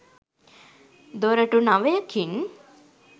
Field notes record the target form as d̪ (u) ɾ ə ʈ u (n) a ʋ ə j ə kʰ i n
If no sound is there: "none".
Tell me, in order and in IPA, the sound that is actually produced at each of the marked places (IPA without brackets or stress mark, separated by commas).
o, n